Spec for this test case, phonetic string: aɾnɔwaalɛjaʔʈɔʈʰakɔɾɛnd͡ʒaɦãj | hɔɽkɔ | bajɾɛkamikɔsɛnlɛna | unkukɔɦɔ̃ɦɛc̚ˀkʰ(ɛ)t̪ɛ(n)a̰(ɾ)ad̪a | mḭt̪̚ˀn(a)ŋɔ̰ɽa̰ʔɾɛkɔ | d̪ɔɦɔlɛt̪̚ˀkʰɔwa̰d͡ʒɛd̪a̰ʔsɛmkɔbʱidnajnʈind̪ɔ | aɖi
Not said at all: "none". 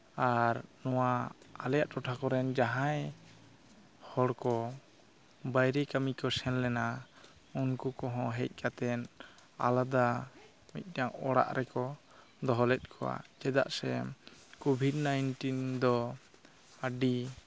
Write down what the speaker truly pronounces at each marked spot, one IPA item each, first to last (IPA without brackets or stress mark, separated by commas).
a, n, l, a